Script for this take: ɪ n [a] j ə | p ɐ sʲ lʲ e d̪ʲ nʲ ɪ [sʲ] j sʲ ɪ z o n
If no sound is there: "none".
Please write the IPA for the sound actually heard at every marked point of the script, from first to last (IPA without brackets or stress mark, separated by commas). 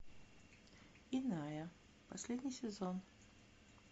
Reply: a, none